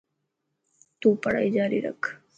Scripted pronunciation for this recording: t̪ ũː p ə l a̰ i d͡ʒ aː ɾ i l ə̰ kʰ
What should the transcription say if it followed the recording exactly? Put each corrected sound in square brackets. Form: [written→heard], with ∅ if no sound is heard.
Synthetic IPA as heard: t̪ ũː p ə [l→ɽ] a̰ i d͡ʒ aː ɾ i [l→ɾ] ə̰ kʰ